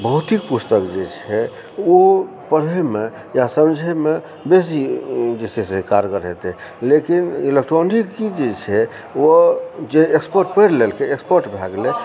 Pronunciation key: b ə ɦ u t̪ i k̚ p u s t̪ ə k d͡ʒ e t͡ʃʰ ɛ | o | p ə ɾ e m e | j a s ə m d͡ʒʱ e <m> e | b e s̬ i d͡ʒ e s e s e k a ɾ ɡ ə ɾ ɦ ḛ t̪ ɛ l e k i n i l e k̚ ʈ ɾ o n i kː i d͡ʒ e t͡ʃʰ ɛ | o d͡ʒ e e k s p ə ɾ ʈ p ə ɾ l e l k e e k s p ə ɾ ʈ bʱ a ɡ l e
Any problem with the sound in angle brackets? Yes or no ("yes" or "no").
no